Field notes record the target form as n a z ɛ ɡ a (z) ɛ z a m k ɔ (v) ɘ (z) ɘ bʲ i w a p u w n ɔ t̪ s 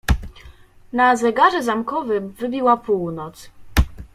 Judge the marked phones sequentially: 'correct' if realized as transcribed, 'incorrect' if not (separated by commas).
incorrect, correct, incorrect